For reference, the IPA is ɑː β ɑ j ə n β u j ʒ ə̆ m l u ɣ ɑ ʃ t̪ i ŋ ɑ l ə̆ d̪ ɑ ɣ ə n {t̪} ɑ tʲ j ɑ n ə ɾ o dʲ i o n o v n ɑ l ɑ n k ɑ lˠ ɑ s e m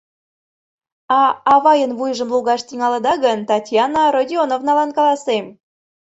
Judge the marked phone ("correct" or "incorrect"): correct